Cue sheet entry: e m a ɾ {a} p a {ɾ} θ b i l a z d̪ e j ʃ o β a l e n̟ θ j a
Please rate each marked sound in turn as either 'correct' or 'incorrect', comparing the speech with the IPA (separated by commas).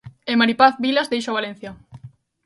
incorrect, incorrect